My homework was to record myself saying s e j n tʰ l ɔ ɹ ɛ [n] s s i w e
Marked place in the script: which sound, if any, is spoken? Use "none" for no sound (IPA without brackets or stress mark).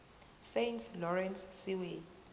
n